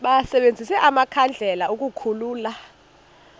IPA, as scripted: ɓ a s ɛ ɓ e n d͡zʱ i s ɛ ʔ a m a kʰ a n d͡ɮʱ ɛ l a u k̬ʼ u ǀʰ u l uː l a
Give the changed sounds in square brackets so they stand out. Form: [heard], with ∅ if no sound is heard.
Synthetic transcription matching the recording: ɓ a s ɛ ɓ e n d͡zʱ i s ɛ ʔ a m a kʰ a n d͡ɮʱ ɛ l a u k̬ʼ u [kʰ] u l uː l a